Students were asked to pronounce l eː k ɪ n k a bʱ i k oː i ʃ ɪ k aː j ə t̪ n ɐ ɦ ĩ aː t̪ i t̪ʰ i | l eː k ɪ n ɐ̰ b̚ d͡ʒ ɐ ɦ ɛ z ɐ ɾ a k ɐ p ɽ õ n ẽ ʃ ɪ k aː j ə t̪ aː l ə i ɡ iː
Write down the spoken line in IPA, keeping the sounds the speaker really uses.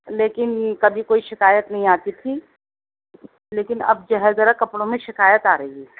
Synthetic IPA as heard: l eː k ɪ n k ɐ bʱ i k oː i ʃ ɪ k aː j ə t̪ n ɐ ɦ ĩ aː t̪ i t̪ʰ i | l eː k ɪ n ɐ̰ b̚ d͡ʒ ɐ ɦ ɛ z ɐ ɾ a k ɐ p ɽ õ m ẽ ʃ ɪ k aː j ə t̪ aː ɾ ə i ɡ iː